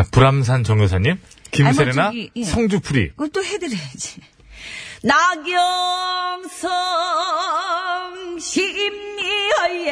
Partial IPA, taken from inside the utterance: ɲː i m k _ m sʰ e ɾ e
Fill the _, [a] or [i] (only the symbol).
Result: i